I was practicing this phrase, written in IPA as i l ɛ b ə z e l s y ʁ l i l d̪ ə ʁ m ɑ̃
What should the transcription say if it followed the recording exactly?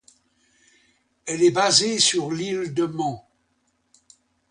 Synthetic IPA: ɛ l ɛ b a z e s y ʁ l i l d̪ ə m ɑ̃